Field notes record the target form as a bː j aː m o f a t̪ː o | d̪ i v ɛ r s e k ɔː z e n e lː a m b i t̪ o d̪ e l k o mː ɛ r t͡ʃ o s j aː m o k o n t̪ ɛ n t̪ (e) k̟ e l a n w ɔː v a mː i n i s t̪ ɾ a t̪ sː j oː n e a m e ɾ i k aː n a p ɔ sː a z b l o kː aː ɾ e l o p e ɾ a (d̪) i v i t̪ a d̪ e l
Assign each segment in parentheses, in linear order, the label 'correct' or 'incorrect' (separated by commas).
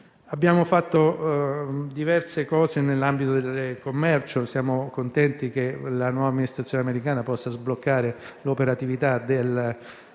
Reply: incorrect, incorrect